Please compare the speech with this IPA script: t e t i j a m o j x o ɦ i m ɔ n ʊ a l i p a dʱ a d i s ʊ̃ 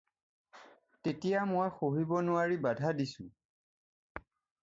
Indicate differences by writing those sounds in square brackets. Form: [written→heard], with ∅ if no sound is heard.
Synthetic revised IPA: t e t i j a m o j x o ɦ i [m→b] ɔ n ʊ a [l→ɹ] i [p→b] a dʱ a d i s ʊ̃